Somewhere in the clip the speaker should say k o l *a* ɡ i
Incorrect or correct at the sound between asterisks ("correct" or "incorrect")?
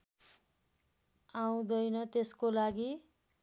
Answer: correct